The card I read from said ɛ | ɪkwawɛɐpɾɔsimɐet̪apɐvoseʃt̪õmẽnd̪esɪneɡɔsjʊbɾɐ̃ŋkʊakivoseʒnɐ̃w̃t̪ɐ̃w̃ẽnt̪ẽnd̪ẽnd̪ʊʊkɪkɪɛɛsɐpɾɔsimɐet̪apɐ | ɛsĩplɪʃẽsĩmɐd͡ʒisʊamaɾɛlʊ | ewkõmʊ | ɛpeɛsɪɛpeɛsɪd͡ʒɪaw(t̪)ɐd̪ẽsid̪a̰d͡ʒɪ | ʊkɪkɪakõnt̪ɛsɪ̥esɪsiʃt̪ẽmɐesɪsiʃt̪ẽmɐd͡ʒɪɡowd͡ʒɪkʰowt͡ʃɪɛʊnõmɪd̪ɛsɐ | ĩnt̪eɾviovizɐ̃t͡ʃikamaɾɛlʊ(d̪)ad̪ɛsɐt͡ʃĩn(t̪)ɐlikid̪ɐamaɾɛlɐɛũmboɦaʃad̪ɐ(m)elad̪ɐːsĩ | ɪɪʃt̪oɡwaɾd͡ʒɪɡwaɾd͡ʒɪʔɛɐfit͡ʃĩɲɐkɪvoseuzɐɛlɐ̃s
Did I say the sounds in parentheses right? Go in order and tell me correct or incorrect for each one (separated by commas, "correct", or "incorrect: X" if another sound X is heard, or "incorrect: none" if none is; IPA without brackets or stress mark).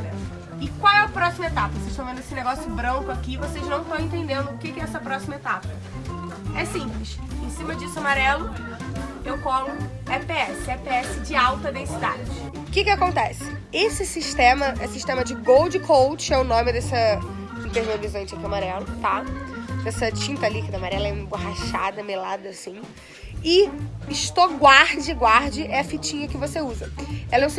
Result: correct, incorrect: t̪, correct, correct